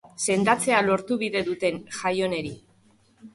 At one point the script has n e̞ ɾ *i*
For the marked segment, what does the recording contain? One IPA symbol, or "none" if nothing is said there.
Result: i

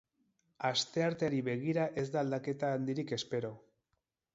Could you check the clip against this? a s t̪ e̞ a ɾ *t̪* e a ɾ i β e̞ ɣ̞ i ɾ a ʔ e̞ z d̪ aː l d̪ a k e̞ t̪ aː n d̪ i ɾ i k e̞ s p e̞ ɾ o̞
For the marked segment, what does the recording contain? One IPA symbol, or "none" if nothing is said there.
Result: t̪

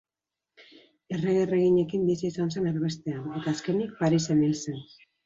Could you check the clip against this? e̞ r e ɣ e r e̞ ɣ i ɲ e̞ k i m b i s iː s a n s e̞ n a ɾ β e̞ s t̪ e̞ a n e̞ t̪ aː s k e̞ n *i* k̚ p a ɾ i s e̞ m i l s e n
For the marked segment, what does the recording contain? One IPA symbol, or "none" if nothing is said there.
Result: i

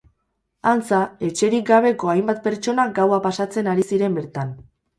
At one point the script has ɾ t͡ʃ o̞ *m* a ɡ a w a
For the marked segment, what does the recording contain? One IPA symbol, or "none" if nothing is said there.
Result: n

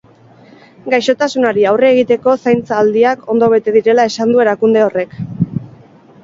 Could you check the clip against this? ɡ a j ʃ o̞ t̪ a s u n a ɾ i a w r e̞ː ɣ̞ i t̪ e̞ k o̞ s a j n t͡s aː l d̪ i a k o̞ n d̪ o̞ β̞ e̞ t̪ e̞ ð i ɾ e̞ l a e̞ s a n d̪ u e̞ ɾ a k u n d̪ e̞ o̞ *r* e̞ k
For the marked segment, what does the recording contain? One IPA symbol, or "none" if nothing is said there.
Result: r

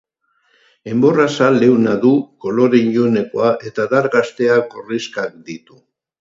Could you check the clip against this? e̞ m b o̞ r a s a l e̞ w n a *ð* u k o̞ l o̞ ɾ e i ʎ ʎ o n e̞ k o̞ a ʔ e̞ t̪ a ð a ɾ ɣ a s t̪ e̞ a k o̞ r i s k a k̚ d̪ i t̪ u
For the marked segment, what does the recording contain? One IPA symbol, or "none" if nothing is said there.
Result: ð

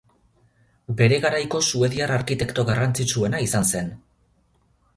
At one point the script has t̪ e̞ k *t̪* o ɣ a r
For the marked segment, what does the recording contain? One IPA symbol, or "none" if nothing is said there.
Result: t̪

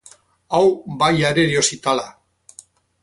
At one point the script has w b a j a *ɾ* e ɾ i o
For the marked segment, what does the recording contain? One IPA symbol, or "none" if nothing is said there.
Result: ɾ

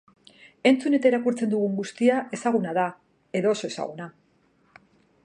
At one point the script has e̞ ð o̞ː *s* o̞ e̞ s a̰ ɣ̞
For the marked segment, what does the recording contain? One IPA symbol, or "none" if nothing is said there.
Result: s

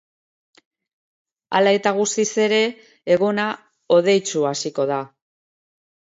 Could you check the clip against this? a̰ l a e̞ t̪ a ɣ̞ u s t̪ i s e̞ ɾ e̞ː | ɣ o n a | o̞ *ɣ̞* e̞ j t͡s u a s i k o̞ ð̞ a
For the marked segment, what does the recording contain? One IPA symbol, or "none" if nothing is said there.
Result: ð̞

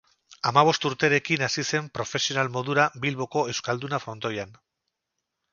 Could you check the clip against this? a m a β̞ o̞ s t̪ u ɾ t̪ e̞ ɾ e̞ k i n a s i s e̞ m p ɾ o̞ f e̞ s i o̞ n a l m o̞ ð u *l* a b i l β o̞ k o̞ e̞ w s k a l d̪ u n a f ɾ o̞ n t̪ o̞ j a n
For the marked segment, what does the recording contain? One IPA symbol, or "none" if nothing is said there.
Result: ɾ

